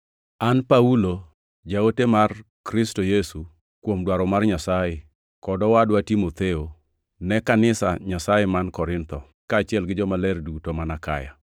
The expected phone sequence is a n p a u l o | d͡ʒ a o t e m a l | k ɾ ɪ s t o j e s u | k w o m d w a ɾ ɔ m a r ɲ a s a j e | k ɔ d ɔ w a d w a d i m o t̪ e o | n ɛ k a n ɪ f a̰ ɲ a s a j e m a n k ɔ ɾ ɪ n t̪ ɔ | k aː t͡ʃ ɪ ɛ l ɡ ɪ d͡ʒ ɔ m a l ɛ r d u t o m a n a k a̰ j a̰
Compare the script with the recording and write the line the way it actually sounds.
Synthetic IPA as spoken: a n p a u l o | d͡ʒ a o t e m a r | k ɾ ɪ s t o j e s u | k w o m d w a ɾ ɔ m a r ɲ a s a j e | k ɔ d ɔ w a d w a t i m o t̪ e o | n ɛ k a n ɪ s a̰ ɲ a s a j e m a n k ɔ ɾ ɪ n t̪ ɔ | k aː t͡ʃ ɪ ɛ l ɡ ɪ d͡ʒ ɔ m a l ɛ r d u t o m a n a k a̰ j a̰